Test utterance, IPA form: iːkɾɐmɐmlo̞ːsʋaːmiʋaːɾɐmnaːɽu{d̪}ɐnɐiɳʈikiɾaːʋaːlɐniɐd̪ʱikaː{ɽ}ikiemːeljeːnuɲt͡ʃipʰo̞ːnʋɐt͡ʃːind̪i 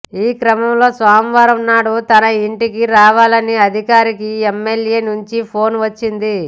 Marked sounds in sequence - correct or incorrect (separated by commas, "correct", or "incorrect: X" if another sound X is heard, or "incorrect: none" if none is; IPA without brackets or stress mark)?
incorrect: t̪, incorrect: ɾ